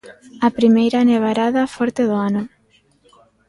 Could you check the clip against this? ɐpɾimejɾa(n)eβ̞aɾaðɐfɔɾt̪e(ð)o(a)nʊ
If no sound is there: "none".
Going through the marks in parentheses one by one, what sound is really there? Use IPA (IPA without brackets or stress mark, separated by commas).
n, ð, a